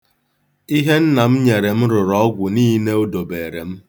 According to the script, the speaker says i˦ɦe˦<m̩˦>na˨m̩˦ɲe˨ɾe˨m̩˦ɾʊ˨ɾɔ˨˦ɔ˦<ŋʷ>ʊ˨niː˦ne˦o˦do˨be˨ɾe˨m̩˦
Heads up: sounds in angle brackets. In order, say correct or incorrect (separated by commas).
incorrect, incorrect